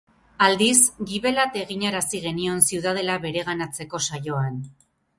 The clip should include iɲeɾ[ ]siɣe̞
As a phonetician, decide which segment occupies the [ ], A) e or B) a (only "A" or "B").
B